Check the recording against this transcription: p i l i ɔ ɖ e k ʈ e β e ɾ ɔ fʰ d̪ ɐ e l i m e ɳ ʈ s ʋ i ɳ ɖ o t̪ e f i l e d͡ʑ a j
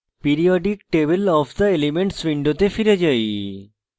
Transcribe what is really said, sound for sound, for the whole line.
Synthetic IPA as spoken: p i ɾ i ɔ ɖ i k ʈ e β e l ɔ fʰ d̪ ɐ e l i m e ɳ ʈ s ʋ i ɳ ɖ o t̪ e f i ɾ e d͡ʑ a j